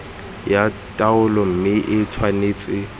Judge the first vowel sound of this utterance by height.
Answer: low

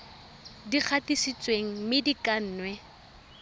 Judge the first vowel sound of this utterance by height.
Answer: high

